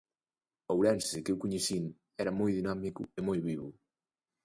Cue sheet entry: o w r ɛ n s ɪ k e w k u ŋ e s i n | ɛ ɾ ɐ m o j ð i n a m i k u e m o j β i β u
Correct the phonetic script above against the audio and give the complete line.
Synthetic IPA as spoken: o w ɾ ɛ n s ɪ k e w k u ɲ e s i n | ɛ ɾ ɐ m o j ð i n a m i k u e m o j β i β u